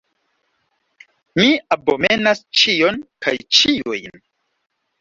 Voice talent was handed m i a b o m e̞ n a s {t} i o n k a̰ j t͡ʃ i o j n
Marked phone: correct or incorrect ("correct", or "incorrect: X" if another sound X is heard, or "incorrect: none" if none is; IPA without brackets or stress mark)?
incorrect: t͡ʃ